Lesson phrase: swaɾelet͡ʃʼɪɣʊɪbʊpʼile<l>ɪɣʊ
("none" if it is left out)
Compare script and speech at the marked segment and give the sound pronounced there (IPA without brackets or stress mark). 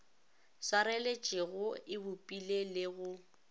l